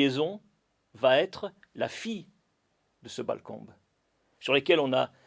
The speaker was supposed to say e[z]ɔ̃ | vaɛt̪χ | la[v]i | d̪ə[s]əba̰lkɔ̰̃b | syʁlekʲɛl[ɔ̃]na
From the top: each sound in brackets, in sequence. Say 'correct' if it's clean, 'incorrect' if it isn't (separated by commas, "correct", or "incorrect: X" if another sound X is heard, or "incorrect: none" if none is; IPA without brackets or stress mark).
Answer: correct, incorrect: f, correct, correct